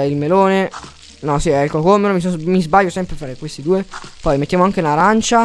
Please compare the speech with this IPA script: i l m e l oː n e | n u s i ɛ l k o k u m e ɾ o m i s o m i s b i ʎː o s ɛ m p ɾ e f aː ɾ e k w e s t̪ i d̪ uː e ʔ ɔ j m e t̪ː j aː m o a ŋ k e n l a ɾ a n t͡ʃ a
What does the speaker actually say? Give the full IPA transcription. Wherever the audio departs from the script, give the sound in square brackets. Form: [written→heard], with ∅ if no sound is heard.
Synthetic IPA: i l m e l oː n e | n [u→ɔ] s i ɛ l k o k [u→o] m e ɾ o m i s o m i [s→z] b [i→a] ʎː o s ɛ m p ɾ e f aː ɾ e k w e s t̪ i d̪ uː e [ʔ→p] ɔ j m e t̪ː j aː m o a ŋ k e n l a ɾ a n t͡ʃ a